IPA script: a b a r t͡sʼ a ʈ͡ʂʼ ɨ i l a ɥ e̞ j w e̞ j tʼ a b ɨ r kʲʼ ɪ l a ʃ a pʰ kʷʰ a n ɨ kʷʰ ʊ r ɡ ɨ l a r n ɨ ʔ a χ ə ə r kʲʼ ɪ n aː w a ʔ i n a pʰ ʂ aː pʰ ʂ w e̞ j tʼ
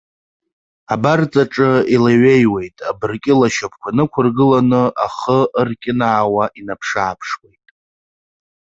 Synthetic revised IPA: a b a r t͡sʼ a ʈ͡ʂʼ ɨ i l a ɥ e̞ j w e̞ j tʼ a b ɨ r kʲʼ ɪ l a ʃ a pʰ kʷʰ a n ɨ kʷʰ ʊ r ɡ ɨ l a n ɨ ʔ a χ ə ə r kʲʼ ɪ n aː w a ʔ i n a pʰ ʂ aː pʰ ʂ w e̞ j tʼ